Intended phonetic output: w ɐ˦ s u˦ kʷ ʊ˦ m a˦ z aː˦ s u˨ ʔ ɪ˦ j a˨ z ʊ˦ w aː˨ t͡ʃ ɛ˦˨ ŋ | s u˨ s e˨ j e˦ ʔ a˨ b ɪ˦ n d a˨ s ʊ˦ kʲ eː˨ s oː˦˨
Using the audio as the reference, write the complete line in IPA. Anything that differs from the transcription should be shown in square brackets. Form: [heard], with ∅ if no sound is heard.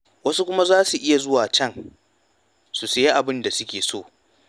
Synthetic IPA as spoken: w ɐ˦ s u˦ kʷ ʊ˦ m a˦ z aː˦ s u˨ ʔ ɪ˦ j a˨ z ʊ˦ w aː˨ t͡ʃ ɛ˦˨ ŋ | s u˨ s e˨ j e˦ ʔ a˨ b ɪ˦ n d a˨ s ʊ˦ kʲ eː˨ s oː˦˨